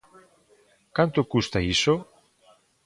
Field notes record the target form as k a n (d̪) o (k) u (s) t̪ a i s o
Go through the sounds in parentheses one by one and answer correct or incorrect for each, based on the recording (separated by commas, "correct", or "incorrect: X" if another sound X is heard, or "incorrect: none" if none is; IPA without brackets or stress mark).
incorrect: t̪, correct, correct